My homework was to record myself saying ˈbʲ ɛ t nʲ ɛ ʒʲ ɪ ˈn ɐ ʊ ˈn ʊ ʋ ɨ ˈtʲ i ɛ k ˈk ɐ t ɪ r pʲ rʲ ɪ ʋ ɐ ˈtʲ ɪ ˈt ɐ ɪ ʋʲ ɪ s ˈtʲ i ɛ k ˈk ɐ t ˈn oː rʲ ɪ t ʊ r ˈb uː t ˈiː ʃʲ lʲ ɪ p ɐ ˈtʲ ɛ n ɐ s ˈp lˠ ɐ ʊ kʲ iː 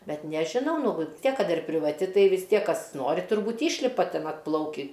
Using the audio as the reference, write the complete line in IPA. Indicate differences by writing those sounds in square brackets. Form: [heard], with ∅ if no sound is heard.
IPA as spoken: ˈbʲ ɛ t nʲ ɛ ʒʲ ɪ ˈn ɐ ʊ ˈn ʊ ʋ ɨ ˈtʲ i ɛ k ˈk ɐ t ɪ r pʲ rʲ ɪ ʋ ɐ ˈtʲ ɪ ˈt ɐ ɪ ʋʲ ɪ s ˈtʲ i ɛ k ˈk ɐ [s] ˈn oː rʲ ɪ t ʊ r ˈb uː t ˈiː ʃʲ lʲ ɪ p ɐ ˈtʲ ɛ n ɐ [t] ˈp lˠ ɐ ʊ kʲ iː